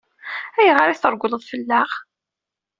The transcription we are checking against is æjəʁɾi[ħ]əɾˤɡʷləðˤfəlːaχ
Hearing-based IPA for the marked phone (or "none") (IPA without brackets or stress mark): θ